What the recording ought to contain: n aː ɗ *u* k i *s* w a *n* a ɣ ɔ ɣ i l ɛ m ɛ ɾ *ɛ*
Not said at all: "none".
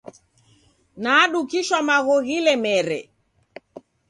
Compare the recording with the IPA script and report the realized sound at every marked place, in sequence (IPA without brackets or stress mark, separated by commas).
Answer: u, ʃ, m, ɛ